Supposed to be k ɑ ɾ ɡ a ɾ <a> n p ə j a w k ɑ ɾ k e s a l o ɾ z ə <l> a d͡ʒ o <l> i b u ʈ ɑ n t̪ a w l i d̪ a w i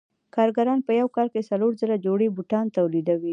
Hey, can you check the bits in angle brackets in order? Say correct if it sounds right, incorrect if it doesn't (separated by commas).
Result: incorrect, incorrect, incorrect